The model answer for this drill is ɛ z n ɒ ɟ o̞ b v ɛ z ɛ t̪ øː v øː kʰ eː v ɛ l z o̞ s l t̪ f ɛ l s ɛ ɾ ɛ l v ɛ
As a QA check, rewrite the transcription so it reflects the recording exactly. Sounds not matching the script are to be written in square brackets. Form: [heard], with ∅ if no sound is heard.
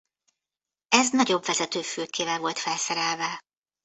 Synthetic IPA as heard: ɛ z n ɒ ɟ o̞ b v ɛ z ɛ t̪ øː [f] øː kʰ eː v ɛ l [v] o̞ [∅] l t̪ f ɛ l s ɛ ɾ ɛ l v ɛ